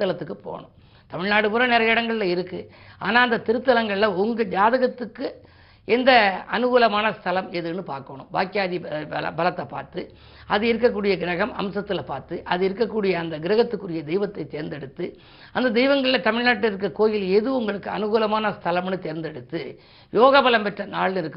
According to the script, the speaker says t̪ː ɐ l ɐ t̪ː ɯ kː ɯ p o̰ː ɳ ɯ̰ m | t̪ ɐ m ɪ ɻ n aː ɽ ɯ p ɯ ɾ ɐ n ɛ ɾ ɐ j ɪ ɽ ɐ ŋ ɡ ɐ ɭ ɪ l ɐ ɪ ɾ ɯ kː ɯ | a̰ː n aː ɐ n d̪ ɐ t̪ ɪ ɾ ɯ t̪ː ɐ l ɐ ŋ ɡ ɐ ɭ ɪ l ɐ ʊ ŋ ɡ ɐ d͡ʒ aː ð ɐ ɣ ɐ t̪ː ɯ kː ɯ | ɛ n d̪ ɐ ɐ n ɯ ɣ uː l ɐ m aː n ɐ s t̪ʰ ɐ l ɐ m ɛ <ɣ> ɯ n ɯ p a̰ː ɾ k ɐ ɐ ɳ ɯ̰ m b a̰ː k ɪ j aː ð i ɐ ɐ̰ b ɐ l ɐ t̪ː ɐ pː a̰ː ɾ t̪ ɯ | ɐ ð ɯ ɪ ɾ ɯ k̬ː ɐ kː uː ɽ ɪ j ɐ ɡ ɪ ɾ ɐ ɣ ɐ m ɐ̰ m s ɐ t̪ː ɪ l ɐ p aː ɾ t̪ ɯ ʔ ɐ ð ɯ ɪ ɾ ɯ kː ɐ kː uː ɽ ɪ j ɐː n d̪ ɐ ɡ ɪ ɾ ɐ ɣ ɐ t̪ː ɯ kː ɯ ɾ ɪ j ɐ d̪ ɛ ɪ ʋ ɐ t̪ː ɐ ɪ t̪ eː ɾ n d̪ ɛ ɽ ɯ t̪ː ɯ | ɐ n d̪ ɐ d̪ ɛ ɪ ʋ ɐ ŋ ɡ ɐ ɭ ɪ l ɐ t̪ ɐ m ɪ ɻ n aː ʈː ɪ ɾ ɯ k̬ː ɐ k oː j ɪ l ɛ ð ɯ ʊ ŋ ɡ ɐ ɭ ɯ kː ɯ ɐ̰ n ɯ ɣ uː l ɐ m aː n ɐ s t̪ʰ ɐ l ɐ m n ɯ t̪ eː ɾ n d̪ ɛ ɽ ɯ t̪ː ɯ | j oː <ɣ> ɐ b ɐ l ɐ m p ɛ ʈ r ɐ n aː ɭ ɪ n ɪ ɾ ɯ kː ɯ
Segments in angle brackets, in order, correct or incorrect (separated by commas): incorrect, correct